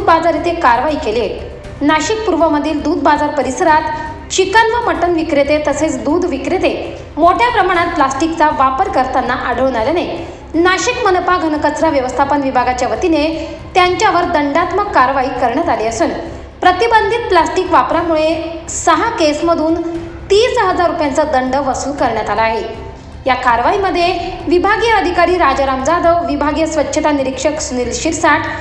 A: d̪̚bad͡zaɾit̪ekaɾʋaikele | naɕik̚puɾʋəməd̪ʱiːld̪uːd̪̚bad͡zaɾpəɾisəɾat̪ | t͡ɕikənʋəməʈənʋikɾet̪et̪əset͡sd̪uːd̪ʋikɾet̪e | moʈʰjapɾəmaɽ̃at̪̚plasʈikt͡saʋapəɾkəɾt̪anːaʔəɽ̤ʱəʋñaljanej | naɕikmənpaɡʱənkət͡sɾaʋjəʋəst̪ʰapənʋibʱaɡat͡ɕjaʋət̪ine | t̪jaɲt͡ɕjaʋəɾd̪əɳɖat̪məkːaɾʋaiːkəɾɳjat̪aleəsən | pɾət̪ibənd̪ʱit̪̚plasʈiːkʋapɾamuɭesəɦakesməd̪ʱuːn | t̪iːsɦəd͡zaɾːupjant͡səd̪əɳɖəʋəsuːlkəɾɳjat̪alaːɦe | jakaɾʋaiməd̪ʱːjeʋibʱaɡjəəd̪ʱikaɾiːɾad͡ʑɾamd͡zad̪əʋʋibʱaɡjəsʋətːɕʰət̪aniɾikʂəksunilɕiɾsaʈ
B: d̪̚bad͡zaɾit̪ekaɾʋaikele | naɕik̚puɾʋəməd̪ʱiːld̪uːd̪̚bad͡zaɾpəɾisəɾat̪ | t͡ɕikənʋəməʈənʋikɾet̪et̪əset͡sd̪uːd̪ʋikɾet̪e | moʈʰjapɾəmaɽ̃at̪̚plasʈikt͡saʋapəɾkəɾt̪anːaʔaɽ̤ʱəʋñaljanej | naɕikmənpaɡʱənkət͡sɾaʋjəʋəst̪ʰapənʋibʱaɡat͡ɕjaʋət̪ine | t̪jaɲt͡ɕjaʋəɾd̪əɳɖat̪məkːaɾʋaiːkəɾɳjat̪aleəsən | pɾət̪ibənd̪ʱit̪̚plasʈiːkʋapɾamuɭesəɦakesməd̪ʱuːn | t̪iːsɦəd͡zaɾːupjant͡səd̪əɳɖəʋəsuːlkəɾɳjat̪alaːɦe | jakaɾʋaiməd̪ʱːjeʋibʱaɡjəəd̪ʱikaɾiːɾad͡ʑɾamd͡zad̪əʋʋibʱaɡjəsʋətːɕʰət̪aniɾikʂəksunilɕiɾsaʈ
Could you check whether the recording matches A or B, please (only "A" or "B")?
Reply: B